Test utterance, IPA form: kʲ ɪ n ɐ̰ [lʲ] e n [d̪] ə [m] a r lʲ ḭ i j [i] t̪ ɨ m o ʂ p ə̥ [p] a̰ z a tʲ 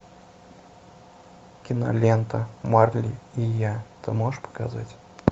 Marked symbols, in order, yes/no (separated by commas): yes, no, yes, no, no